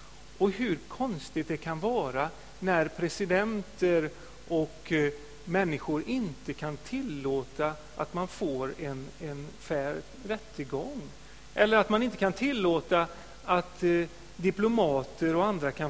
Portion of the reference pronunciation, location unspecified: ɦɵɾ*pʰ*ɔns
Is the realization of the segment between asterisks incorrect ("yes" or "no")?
yes